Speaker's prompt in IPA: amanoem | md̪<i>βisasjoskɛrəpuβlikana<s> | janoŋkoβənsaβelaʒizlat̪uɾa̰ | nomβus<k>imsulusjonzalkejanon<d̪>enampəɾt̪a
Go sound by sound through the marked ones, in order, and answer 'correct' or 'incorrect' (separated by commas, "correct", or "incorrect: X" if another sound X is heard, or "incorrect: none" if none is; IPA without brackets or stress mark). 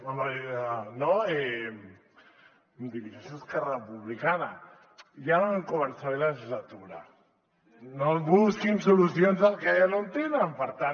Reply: correct, incorrect: none, correct, incorrect: t̪